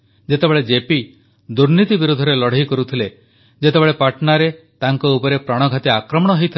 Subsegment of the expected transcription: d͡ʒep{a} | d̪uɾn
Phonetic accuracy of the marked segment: incorrect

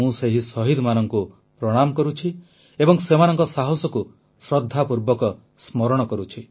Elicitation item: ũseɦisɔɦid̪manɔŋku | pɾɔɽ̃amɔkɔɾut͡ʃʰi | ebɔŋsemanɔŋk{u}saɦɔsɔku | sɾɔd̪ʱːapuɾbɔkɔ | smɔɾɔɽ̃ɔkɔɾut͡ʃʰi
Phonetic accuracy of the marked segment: incorrect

